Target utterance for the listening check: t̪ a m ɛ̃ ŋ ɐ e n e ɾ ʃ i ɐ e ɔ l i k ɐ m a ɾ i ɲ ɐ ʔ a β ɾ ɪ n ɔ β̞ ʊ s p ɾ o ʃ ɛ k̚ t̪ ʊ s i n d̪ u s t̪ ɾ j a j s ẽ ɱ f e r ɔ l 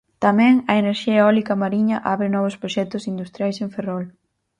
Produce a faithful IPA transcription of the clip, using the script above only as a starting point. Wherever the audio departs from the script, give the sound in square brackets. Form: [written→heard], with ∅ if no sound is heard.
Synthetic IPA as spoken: t̪ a m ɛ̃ ŋ ɐ e n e ɾ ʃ i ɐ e ɔ l i k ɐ m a ɾ i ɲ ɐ ʔ a β ɾ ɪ n ɔ β̞ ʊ s p ɾ o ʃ ɛ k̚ t̪ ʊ s i n d̪ u s t̪ ɾ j a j s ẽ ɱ f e r ɔ l